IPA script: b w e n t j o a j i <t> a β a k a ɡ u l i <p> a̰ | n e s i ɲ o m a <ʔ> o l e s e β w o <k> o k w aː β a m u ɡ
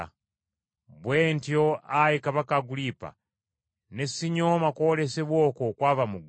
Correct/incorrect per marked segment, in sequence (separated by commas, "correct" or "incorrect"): incorrect, correct, incorrect, correct